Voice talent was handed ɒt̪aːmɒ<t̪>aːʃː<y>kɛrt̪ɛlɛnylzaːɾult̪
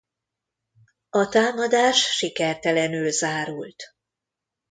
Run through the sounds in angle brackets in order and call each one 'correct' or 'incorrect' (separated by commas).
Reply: incorrect, incorrect